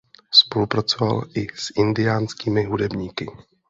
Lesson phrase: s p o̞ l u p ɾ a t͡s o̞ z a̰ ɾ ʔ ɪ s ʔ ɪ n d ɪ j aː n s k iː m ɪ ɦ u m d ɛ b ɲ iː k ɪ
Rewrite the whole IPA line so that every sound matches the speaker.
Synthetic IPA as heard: s p o̞ l u p ɾ a t͡s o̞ v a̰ l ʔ ɪ s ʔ ɪ n d ɪ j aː n s k iː m ɪ ɦ u d ɛ b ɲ iː k ɪ